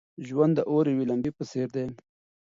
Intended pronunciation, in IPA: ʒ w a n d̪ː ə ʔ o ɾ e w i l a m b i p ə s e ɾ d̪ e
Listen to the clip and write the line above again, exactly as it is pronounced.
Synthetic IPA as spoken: ʒ w a n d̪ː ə ʔ o ɾ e w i l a m b i p ə s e ɾ d̪ e

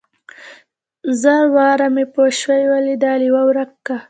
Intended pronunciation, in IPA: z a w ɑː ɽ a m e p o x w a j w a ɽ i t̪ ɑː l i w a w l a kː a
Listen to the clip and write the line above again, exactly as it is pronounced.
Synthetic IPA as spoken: z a w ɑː ɾ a m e p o ʃ w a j w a l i d̪ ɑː l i w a w ɾ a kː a

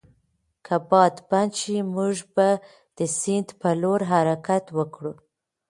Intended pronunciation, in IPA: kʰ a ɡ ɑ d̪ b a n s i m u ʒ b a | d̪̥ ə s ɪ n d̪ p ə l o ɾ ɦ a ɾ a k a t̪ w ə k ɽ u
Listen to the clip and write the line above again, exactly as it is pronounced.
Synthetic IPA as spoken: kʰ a b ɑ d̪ b a n ʃ i m u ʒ b a | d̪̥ ə s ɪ n d̪ p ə l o ɾ ɦ a ɾ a k a t̪ w ə k ɽ u

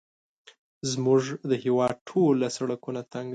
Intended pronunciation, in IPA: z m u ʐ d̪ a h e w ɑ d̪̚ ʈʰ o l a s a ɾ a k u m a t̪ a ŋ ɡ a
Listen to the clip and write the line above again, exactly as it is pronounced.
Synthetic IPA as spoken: z m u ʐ d̪ ə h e w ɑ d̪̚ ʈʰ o l a s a ɽ a k u n a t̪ a ŋ ɡ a

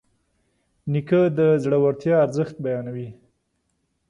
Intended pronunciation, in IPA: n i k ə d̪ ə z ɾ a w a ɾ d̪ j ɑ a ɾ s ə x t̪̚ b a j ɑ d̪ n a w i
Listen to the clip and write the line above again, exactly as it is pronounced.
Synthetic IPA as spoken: n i k ə d̪ ə z ɽ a w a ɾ t̪ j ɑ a ɾ z ə x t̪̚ b a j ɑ n a w i

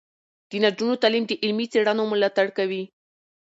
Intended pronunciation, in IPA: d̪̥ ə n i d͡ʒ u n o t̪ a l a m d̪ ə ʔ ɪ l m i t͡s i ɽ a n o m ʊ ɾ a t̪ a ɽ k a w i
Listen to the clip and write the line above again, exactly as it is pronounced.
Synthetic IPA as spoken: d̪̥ ə n a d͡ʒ u n o t̪ a l i m d̪ ə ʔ ɪ l m i t͡s e ɽ a n o m ʊ l a t̪ a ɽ k a w i

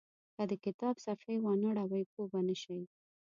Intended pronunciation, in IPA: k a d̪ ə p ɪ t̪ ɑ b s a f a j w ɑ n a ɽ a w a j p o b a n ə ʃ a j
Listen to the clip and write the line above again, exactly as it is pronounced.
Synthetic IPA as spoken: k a d̪ ə k ɪ t̪ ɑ b s a f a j w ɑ n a ɽ a w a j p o b a n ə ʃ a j

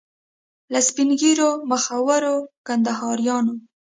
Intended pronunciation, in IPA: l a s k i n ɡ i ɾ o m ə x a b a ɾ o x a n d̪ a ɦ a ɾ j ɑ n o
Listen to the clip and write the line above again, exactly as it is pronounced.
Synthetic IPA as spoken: l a s p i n ɡ i ɾ o m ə x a w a ɾ o k a n d̪ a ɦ ɑ ɾ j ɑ n o

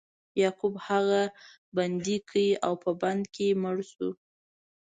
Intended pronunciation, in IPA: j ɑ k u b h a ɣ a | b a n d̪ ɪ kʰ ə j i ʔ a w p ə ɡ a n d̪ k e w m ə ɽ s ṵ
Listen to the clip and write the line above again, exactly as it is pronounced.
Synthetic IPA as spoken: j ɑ k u b h a ɣ a | b a n d̪ i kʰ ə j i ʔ a w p ə b a n d̪ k e m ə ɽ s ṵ

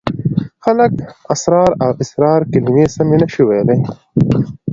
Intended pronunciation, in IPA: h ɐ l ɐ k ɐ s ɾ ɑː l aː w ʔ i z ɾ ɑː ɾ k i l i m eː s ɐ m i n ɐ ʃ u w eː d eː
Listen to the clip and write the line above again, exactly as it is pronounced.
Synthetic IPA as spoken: x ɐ l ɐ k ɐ s ɾ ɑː ɾ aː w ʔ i s ɾ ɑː ɾ k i l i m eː s ɐ m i n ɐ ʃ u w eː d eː

